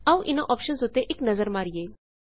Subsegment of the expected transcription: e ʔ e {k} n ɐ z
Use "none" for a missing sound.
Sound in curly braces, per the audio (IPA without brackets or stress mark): k